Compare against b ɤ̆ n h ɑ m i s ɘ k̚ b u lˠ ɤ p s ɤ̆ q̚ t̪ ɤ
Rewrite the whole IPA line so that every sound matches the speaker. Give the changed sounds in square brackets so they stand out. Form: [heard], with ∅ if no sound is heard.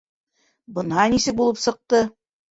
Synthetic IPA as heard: b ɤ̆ n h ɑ [n] i s ɘ k̚ b u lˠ ɤ p s ɤ̆ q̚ t̪ ɤ